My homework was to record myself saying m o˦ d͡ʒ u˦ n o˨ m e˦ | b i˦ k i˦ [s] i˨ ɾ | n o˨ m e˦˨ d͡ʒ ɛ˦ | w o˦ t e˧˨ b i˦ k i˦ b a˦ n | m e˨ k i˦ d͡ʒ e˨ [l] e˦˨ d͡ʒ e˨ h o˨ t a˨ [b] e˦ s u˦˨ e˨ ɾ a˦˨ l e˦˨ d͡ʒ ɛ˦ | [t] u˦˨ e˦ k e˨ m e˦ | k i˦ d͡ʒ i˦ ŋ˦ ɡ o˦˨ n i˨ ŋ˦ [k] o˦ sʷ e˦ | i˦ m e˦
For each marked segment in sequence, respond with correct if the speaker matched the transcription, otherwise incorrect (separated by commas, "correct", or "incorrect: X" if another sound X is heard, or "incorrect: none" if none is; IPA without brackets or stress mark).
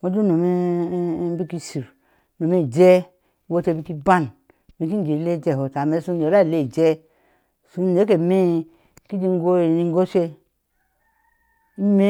correct, correct, incorrect: m, incorrect: s, incorrect: ɡ